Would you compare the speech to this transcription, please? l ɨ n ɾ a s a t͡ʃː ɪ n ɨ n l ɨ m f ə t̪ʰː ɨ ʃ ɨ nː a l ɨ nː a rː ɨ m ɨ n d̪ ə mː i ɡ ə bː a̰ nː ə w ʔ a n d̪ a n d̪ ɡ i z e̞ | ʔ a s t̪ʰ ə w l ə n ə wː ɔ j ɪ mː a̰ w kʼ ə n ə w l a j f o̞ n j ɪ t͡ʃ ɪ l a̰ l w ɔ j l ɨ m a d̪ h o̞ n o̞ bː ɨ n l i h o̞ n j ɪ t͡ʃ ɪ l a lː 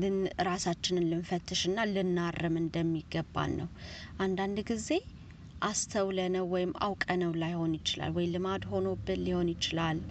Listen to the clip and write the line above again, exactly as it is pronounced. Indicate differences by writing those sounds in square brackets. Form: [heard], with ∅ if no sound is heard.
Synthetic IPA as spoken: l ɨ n ɾ a s a t͡ʃː ɪ n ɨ n l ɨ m f ə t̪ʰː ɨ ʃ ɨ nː a l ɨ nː a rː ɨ m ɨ n d̪ ə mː i ɡ ə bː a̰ nː ə w ʔ a n d̪ a n d̪ ɡ i z e̞ | ʔ a s t̪ʰ ə w l ə n ə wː ɔ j ɪ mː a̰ w kʼ ə n ə w l a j [h] o̞ n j ɪ t͡ʃ ɪ l a̰ l w ɔ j l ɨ m a d̪ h o̞ n o̞ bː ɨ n l i h o̞ n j ɪ t͡ʃ ɪ l a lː